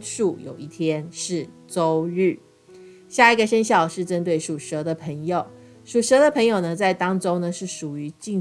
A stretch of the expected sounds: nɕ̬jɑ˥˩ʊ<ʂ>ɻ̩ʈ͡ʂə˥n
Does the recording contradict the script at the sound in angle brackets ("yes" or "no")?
no